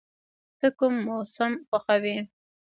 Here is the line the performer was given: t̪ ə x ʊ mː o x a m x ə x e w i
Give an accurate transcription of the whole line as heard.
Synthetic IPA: t̪ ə k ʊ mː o s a m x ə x a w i